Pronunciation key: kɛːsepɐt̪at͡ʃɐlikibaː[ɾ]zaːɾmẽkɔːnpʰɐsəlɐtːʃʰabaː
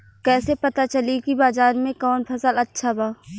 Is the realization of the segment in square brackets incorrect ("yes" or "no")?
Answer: yes